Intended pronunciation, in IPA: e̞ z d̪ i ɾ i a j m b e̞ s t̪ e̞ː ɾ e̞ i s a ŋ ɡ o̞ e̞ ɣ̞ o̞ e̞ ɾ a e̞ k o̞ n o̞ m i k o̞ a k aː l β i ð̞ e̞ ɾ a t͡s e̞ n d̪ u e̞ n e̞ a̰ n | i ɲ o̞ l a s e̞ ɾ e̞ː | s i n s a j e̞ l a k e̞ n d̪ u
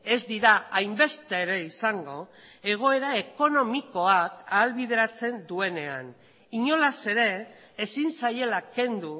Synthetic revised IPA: e̞ z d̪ i ɾ a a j m b e̞ s t̪ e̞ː ɾ e̞ i s a ŋ ɡ o̞ e̞ ɣ̞ o̞ e̞ ɾ a e̞ k o̞ n o̞ m i k o̞ a k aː l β i ð̞ e̞ ɾ a t͡s e̞ n d̪ u e̞ n e̞ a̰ n | i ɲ o̞ l a s e̞ ɾ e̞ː | s i n s a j e̞ l a k e̞ n d̪ u